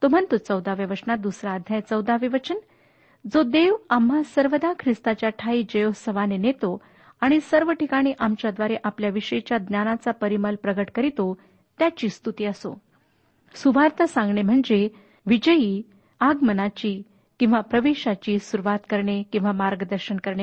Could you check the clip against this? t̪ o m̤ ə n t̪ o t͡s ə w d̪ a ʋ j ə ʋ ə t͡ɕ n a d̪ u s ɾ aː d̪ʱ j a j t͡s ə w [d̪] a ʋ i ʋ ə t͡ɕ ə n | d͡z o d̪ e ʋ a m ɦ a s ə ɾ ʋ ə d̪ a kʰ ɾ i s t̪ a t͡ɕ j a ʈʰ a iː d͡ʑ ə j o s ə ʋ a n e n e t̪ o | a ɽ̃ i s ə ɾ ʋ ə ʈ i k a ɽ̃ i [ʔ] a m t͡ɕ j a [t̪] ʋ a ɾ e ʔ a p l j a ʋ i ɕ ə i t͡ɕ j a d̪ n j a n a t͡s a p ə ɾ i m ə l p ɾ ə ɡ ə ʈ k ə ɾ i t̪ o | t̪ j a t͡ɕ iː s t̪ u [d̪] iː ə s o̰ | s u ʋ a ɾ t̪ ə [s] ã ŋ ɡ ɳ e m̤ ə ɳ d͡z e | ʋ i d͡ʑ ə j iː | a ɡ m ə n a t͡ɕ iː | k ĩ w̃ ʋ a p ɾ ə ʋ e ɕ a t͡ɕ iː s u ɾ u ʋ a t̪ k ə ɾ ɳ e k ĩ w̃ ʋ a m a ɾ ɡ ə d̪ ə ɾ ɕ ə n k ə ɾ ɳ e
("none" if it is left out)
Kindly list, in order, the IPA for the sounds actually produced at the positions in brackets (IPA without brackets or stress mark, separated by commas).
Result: d̪, ʔ, d̪, t̪, s